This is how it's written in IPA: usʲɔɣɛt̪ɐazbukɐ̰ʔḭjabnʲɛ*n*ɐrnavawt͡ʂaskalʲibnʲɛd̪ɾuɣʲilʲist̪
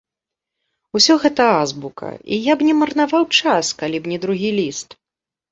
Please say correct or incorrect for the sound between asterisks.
incorrect